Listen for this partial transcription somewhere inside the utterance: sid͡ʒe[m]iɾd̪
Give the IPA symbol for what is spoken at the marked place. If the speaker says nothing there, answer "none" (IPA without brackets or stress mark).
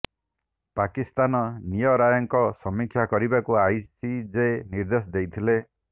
n